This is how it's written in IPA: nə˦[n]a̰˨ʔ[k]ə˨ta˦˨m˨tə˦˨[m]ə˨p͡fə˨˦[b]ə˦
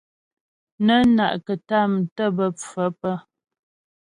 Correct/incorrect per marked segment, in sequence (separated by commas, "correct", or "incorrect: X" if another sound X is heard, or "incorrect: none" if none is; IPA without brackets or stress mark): correct, correct, incorrect: b, incorrect: p